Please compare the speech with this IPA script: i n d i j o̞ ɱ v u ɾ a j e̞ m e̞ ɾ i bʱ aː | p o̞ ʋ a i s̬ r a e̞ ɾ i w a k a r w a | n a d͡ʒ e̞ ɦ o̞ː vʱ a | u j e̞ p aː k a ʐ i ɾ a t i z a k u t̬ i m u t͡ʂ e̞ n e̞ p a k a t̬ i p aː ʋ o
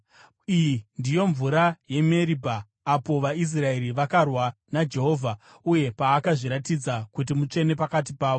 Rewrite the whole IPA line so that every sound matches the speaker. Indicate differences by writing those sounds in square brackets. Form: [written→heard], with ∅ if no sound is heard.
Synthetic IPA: i n d i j o̞ ɱ v u ɾ a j e̞ m e̞ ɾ i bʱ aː | p o̞ ʋ a i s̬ r a e̞ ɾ i [w→ʋ] a k a r w a | n a d͡ʒ e̞ ɦ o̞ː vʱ a | u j e̞ p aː k a ʐ i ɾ a t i [z→d͡z] a k u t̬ i m u t͡ʂ e̞ n e̞ p a k a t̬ i p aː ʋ o